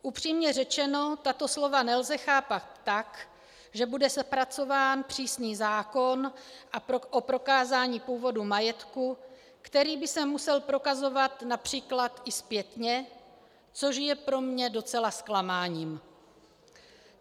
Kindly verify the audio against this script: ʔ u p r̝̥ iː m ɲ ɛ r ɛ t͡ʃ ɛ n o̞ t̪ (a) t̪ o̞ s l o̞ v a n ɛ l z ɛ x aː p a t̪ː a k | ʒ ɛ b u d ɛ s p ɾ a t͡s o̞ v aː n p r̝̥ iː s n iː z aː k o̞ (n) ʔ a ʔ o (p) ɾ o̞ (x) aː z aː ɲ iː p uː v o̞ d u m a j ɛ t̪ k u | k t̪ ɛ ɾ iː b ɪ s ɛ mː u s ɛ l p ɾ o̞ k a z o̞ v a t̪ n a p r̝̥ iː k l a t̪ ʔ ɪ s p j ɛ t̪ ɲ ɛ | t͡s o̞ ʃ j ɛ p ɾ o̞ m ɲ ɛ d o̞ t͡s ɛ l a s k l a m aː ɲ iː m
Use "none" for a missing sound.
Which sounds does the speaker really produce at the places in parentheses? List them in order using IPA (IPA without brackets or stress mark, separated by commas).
a, n, p, k